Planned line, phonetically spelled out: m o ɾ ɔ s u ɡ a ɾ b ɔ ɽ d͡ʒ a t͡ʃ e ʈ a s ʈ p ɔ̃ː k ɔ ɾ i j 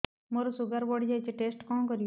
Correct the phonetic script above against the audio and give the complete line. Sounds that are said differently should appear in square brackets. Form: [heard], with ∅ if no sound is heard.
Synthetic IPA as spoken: m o ɾ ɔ s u ɡ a ɾ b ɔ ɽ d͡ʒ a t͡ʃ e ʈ [e] s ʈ [k] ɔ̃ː k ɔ ɾ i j